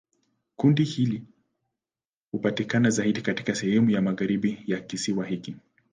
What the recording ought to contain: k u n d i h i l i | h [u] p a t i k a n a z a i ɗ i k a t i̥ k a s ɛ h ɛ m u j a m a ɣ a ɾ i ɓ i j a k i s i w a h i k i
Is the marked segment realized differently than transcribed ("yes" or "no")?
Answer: no